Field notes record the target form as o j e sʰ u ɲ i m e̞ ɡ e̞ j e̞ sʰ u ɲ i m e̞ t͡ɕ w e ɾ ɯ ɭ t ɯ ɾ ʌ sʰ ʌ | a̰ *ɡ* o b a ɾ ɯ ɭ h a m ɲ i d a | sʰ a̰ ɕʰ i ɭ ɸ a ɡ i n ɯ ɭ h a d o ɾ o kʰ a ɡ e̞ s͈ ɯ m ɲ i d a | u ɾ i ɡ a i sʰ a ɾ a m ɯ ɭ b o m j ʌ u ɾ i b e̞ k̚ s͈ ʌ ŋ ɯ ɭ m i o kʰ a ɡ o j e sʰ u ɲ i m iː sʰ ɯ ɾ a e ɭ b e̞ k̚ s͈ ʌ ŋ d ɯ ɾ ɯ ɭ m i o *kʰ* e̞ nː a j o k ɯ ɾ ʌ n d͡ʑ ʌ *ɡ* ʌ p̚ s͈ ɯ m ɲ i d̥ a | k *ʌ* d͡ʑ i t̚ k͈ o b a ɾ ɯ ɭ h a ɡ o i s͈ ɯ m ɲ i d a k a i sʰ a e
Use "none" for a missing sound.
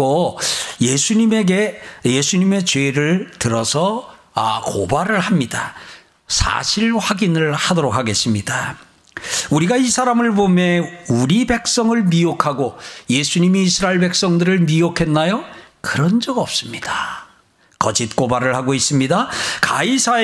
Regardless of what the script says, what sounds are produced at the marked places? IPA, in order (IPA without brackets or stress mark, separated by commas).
k, kʰ, ɡ, ʌ